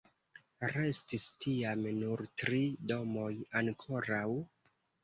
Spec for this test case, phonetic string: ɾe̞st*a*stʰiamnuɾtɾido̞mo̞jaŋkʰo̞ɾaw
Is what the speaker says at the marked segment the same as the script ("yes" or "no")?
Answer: no